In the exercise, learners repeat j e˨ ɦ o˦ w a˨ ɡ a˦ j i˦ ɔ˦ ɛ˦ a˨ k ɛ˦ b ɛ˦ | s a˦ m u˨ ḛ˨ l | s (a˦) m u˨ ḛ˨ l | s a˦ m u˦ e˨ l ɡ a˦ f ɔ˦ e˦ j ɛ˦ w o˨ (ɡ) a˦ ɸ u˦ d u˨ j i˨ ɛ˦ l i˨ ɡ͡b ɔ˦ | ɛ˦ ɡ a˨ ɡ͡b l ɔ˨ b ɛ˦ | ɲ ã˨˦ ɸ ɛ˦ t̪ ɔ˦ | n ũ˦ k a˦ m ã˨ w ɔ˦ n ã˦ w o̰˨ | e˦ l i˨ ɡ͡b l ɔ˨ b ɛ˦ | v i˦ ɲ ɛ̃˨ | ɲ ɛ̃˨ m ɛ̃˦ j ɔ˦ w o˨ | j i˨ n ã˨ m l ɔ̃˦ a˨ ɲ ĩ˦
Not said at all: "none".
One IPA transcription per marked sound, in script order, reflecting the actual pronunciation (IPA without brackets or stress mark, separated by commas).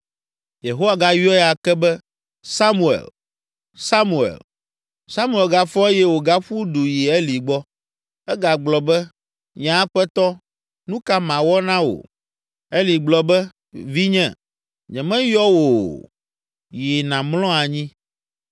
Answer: a˦, ɡ